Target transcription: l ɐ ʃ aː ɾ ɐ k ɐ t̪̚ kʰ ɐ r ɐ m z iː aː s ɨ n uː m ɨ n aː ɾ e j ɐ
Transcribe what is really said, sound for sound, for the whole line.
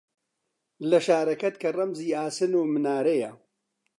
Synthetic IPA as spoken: l ɐ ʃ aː ɾ ɐ k ɐ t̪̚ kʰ ɐ r ɐ m z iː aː s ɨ n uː m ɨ n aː ɾ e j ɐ